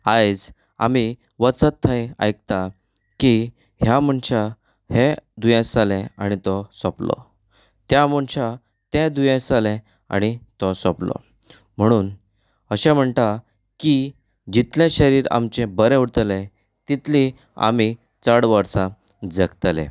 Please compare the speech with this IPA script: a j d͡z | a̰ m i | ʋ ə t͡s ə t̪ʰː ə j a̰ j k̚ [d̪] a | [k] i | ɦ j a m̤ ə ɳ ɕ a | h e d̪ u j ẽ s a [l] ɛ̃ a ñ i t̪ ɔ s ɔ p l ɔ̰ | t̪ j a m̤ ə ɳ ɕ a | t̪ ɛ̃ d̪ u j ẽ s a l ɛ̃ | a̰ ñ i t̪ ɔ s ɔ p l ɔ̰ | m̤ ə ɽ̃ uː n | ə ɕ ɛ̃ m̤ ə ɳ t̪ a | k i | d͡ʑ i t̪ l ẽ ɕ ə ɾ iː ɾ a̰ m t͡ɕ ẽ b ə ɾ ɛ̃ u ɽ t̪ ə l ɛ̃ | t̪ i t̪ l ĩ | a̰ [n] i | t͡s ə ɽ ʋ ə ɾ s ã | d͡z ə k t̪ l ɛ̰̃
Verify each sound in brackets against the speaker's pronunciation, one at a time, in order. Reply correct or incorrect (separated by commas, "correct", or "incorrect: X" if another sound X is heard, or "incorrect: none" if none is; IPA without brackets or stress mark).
incorrect: t̪, correct, correct, incorrect: m